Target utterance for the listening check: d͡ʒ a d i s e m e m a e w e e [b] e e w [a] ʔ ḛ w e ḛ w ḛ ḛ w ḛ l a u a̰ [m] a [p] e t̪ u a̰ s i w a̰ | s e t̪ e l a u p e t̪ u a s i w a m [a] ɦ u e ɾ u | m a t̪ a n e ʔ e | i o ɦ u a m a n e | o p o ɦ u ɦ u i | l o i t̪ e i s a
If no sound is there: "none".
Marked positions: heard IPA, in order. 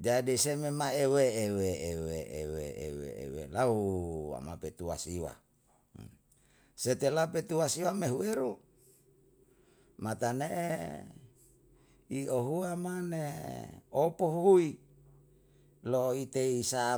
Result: w, e, m, p, e

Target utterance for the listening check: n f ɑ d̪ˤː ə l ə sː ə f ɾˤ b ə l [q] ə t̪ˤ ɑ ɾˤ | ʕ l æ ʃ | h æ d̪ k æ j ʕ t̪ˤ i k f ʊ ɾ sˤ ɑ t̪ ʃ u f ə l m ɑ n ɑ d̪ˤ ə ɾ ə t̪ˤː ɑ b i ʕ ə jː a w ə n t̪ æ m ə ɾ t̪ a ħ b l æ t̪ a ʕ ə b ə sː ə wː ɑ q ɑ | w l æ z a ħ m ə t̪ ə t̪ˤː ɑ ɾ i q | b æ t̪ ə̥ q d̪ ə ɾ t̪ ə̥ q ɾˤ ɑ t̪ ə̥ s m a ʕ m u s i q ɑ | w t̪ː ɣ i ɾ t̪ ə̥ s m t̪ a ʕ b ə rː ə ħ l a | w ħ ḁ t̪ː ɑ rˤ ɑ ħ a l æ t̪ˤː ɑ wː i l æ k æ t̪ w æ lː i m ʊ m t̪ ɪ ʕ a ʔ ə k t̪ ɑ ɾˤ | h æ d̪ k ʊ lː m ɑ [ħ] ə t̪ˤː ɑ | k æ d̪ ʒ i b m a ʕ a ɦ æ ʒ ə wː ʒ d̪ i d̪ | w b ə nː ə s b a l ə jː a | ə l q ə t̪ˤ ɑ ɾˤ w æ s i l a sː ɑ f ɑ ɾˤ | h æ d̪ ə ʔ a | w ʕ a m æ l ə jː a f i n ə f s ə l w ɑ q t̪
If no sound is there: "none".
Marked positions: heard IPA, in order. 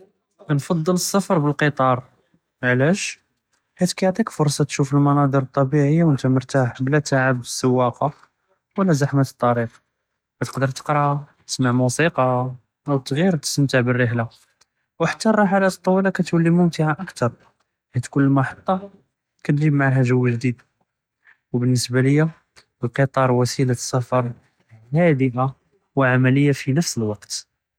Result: q, ħ

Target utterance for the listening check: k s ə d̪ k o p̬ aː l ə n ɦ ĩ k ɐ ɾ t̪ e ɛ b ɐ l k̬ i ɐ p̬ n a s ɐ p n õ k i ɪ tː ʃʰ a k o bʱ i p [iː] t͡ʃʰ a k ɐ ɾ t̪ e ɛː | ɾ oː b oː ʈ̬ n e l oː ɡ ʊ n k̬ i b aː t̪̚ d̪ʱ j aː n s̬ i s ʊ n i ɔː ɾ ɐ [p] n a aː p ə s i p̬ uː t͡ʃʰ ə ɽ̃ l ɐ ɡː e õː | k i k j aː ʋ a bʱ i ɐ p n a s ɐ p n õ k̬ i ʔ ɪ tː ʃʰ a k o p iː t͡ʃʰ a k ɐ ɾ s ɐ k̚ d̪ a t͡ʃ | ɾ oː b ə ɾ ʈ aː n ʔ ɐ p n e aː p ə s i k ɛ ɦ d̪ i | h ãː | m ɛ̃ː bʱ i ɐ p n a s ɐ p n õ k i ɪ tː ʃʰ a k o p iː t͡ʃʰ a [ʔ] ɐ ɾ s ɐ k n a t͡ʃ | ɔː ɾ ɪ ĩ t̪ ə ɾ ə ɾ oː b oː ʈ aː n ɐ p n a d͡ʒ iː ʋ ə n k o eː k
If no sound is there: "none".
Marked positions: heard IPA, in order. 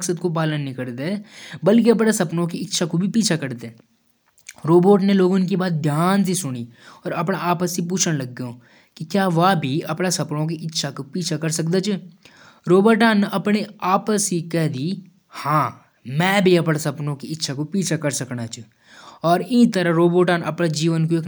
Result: iː, p, k

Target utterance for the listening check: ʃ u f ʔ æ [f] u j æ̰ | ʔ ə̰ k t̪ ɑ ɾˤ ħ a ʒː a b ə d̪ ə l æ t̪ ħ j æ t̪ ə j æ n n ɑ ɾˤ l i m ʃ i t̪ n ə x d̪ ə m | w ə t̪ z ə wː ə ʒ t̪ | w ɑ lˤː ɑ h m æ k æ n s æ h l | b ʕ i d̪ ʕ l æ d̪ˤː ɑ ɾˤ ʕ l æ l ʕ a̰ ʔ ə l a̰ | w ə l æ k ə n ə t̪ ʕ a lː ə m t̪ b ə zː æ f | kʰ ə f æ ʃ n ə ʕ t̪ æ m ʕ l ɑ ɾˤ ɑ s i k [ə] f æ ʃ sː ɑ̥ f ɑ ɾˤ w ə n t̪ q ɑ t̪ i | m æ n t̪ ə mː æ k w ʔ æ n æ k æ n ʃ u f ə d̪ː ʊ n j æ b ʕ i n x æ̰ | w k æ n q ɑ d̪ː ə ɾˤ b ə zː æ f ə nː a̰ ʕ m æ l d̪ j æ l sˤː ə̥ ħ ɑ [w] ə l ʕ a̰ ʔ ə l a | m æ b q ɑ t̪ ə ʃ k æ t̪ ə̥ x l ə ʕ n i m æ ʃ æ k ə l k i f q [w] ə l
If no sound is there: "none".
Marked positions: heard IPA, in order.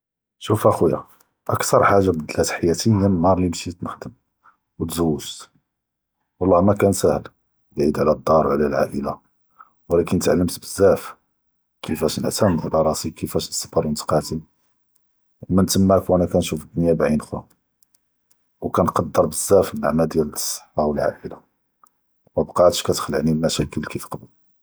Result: x, ə, w, b

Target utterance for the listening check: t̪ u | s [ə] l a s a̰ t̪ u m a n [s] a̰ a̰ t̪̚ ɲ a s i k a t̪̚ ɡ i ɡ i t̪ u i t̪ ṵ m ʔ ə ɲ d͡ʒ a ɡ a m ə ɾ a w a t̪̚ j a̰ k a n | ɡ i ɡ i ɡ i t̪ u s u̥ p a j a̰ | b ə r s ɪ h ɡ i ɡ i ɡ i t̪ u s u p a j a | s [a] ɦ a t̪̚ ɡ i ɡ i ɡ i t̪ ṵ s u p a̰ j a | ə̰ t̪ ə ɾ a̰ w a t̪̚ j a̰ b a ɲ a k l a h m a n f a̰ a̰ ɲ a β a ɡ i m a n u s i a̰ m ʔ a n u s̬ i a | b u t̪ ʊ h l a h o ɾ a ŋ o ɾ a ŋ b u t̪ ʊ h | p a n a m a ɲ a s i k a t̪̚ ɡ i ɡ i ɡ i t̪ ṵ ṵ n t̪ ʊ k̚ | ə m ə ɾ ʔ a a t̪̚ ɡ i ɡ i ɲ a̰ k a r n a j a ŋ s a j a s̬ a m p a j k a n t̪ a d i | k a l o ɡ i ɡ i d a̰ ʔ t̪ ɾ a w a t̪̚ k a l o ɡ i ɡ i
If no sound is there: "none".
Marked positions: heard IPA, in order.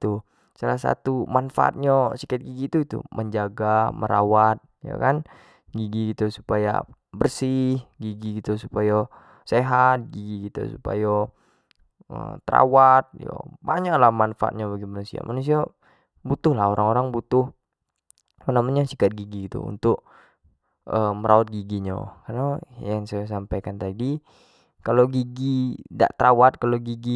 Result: a, f, e

